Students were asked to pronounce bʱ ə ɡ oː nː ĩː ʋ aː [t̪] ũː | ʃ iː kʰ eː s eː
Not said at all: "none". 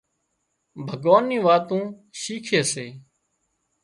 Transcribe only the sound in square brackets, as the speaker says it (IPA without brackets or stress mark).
t̪